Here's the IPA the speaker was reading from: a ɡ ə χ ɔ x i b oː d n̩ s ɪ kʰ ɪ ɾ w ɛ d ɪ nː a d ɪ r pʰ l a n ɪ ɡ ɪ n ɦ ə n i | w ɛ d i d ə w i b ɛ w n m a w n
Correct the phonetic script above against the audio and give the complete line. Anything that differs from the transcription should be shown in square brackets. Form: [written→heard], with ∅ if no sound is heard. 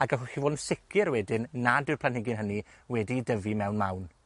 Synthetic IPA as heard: a ɡ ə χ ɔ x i [b→v] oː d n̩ s ɪ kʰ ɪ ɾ w ɛ d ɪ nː a d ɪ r pʰ l a n ɪ ɡ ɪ n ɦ ə n i | w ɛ d i d ə [w→v] i [b→m] ɛ w n m a w n

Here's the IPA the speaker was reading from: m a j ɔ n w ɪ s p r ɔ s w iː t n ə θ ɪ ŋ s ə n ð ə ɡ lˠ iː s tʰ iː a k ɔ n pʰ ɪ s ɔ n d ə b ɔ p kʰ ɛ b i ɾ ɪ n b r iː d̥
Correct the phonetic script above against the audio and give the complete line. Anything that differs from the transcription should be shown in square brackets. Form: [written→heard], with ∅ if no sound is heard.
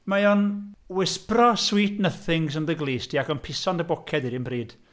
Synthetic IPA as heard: m a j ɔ n w ɪ s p r ɔ s w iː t n ə θ ɪ ŋ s ə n ð ə ɡ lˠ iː s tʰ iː a k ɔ n pʰ ɪ s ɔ n d ə b ɔ [p→∅] kʰ ɛ [b→d] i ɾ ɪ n b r iː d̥

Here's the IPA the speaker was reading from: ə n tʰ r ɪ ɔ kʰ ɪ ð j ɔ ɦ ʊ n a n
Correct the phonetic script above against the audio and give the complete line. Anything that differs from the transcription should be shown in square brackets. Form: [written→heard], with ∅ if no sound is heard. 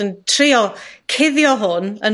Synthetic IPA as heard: ə n tʰ r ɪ ɔ kʰ ɪ ð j ɔ ɦ ʊ n [a→ə] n

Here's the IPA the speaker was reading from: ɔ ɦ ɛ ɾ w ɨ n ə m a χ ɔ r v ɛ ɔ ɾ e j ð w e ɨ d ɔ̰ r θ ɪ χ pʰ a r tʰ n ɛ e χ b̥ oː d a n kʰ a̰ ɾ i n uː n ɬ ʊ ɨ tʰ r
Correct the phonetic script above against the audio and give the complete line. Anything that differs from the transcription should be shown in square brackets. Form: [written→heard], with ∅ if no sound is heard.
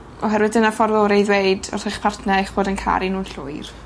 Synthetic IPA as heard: ɔ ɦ ɛ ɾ w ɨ [n→d] ə [m→n] a [χ→f] ɔ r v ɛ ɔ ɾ e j ð w e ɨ d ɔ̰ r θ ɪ χ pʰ a r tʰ n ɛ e χ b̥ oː d [a→ə] n kʰ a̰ ɾ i n uː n ɬ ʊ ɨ [tʰ→∅] r

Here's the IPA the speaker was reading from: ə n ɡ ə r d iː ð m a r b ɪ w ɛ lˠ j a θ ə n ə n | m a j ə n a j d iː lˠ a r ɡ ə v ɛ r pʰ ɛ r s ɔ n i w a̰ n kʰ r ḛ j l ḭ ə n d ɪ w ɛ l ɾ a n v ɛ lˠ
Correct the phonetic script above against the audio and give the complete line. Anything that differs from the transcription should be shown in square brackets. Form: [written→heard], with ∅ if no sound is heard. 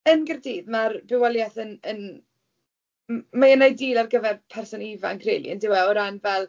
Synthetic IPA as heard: ə n ɡ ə r d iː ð m a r b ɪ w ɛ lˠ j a θ ə n ə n | m a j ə n a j d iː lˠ a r ɡ ə v ɛ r pʰ ɛ r s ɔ n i [w→v] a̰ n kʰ r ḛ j l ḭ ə n d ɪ w ɛ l ɾ a n v ɛ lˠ

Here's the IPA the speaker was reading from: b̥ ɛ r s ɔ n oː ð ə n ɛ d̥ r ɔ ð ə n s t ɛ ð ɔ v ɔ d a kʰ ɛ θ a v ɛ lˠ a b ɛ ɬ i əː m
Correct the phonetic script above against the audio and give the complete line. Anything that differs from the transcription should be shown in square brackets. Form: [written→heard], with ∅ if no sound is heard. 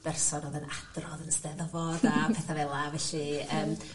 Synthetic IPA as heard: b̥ ɛ r s ɔ n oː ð ə n [ɛ→a] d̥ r ɔ ð ə n s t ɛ ð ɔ v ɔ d a [kʰ→pʰ] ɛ θ a v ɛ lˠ a [b→v] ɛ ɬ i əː m

